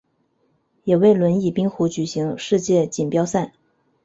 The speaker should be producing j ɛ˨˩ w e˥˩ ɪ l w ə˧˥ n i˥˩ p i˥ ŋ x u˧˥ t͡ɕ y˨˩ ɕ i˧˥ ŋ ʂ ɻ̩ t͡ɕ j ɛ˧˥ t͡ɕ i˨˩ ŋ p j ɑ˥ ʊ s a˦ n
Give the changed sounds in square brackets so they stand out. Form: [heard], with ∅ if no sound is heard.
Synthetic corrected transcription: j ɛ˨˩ w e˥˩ ɪ l w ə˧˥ n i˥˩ p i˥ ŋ x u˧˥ t͡ɕ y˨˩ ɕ i˧˥ ŋ ʂ ɻ̩ t͡ɕ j [ɛ˥˩] t͡ɕ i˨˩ [n] p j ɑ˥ ʊ s [a˥˩] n